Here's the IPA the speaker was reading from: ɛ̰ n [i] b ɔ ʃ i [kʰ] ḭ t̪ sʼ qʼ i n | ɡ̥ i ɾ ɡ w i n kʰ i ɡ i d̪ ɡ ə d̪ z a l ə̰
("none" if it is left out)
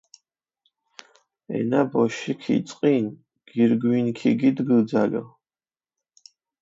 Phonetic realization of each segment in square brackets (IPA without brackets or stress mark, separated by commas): a, kʰ